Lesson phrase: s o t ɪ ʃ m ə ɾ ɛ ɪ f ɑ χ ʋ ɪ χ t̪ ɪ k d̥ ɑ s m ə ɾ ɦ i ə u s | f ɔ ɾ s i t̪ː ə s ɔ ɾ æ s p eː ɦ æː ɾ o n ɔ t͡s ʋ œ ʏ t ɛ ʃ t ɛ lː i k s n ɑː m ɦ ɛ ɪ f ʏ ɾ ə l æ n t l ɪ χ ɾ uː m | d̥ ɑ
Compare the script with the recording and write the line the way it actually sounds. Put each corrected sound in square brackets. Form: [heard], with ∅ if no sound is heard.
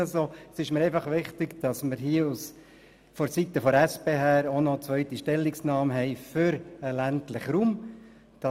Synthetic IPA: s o [s] ɪ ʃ m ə ɾ ɛ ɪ f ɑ χ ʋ ɪ χ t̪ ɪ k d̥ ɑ s m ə ɾ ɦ i ə u s | f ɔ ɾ s i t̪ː ə [f] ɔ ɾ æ s p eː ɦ æː ɾ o n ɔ t͡s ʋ œ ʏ t [i] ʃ t ɛ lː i k s n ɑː m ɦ ɛ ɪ f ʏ ɾ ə l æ n t l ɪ χ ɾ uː m | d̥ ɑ

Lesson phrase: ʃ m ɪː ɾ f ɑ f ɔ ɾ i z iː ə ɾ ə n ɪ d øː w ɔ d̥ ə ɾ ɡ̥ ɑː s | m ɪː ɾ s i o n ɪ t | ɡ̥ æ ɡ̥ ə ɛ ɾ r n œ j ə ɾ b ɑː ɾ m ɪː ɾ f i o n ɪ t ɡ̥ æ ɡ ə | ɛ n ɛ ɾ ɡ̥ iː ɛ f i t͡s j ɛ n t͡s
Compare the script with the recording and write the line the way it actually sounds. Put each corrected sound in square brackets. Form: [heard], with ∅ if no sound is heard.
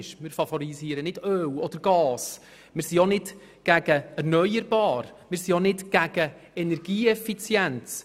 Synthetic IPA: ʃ m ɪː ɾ f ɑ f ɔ ɾ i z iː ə ɾ ə n ɪ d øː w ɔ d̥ ə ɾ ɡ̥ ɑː s | m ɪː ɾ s i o n ɪ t | ɡ̥ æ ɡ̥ ə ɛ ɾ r n œ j ə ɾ b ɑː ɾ m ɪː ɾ [s] i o n ɪ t ɡ̥ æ ɡ ə | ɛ n ɛ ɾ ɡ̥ iː ɛ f i t͡s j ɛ n t͡s

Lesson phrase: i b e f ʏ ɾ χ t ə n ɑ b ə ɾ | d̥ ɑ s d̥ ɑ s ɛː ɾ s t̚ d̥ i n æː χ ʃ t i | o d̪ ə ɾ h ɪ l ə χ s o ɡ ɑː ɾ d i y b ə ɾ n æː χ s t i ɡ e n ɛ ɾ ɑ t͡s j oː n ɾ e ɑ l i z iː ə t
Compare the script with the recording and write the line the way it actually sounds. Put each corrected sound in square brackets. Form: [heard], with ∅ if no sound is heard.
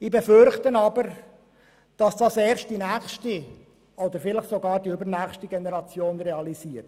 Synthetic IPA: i b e f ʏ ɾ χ t ə n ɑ b ə ɾ | d̥ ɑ s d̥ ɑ s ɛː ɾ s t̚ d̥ i n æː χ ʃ t i | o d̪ ə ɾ [f] ɪ l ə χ s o ɡ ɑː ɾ d i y b ə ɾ n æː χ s t i ɡ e n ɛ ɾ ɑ t͡s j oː n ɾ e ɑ l i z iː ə t

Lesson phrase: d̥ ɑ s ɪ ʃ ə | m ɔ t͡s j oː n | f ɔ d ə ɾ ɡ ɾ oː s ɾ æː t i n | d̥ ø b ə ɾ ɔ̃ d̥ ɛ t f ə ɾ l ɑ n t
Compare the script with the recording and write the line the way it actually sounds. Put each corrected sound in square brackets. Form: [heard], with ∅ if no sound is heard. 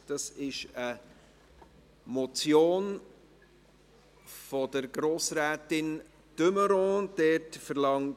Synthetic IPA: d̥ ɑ s ɪ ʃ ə | m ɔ t͡s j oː n | f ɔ d ə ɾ ɡ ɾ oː s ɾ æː t [ɪ] n | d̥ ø [m] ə ɾ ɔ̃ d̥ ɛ t f ə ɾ l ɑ [ŋ] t

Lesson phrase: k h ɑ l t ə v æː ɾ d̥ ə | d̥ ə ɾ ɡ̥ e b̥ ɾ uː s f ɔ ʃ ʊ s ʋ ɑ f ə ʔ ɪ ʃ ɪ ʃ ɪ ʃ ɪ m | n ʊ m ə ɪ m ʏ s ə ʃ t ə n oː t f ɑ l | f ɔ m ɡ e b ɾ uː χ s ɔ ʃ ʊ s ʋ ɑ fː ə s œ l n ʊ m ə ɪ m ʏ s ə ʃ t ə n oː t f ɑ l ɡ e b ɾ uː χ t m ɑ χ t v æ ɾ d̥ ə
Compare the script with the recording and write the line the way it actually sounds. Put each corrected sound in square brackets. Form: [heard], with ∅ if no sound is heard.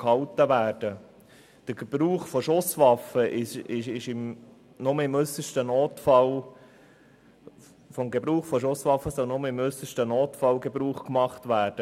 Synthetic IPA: k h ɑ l t ə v æː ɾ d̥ ə | d̥ ə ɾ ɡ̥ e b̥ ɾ uː [χ] f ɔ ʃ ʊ s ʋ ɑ f ə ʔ ɪ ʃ ɪ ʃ ɪ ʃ ɪ m | n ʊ m ə ɪ m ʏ s ə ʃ t ə n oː t f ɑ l | f ɔ m ɡ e b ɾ uː χ [f] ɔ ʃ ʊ s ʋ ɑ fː ə s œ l n ʊ m ə ɪ m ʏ s ə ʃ t ə n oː t f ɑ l ɡ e b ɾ uː χ [k] m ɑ χ t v [æː] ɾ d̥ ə

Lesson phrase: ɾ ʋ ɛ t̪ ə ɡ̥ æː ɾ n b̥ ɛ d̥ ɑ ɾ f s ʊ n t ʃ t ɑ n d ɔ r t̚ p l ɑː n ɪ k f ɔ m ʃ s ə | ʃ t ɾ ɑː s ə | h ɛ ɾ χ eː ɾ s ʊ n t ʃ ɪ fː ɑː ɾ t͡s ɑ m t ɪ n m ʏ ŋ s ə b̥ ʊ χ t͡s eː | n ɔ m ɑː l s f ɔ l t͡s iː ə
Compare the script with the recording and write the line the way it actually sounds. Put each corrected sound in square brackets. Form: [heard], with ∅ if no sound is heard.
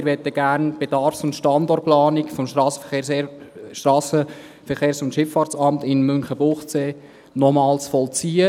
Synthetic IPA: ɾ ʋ ɛ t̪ ə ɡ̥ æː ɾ n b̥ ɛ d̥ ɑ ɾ f s ʊ n t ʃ t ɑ n d ɔ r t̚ p l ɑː n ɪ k f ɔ m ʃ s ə | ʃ t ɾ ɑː s ə | [f] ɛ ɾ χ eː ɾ s ʊ n t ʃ ɪ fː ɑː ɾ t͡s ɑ m t ɪ n m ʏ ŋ [χ] ə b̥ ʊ χ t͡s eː | n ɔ m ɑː l s f ɔ l t͡s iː ə

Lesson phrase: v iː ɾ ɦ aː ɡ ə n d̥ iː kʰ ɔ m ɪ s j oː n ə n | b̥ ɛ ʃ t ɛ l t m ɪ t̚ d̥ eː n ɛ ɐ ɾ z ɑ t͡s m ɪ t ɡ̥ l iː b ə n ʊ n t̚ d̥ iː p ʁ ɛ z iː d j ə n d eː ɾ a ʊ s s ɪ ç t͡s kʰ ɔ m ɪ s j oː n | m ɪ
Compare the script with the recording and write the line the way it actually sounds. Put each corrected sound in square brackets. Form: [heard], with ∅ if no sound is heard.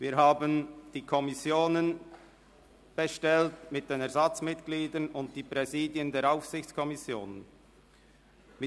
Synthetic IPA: v iː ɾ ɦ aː [b] ə n d̥ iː kʰ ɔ m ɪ s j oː n ə n | b̥ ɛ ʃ t ɛ l t m ɪ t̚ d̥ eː n ɛ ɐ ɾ z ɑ t͡s m ɪ t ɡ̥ l iː [d] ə n ʊ n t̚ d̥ iː p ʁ ɛ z iː d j ə n d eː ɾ a ʊ [f] s ɪ ç t͡s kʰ ɔ m ɪ s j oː n | m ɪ

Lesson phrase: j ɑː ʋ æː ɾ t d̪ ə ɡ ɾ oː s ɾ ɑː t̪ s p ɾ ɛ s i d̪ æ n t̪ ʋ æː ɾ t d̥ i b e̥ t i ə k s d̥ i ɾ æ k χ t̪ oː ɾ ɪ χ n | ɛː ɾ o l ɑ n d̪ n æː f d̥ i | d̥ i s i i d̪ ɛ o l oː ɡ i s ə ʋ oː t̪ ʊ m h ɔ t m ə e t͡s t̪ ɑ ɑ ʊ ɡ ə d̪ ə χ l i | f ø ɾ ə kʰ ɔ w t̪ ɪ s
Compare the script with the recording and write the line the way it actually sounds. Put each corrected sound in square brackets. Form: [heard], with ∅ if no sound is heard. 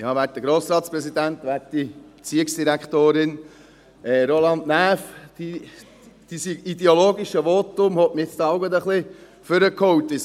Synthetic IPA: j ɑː ʋ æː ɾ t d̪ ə ɡ ɾ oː s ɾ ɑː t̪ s p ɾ ɛ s i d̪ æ n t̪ ʋ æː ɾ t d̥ i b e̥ [t͡s] i ə k s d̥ i ɾ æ k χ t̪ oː ɾ ɪ [∅] n | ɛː ɾ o l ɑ n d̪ n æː f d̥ i | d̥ i s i i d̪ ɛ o l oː ɡ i [ʃ] ə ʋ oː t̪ ʊ m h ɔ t m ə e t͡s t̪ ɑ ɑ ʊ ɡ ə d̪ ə χ l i | f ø ɾ ə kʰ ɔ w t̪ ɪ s

